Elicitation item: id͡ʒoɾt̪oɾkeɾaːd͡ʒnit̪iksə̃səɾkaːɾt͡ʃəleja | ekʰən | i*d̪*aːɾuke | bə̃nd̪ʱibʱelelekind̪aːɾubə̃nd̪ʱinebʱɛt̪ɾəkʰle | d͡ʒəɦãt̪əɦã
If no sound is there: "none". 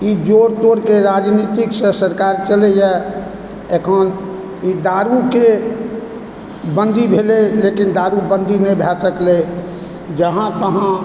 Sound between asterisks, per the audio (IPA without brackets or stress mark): d̪